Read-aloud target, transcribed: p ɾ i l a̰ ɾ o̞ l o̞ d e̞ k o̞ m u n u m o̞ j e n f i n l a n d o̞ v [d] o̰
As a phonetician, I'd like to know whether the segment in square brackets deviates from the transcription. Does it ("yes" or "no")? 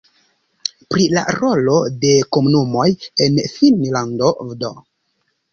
no